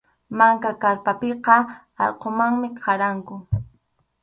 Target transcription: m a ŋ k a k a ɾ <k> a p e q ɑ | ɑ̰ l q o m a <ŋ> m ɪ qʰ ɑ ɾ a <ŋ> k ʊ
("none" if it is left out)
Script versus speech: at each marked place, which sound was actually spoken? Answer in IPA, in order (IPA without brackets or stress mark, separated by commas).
p, ŋ, ŋ